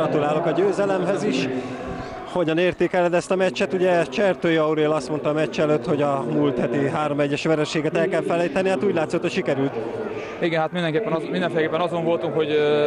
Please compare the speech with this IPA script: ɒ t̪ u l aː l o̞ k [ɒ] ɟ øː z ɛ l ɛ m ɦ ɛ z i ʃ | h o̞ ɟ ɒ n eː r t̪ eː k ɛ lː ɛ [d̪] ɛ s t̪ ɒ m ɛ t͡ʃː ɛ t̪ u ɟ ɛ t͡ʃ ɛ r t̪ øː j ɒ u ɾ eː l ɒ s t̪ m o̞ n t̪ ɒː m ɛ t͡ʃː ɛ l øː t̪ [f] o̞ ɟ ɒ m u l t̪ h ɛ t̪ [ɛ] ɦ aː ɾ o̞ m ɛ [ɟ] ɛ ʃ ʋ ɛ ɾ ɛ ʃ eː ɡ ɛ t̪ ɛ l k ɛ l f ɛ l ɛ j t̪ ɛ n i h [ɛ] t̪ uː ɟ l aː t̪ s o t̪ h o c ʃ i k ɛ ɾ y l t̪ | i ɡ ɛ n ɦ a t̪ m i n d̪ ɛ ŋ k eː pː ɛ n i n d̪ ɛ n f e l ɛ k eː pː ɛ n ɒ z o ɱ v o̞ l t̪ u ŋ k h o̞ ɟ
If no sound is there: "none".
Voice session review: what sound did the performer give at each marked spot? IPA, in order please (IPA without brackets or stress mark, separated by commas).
ɒ, d̪, h, i, ɟː, a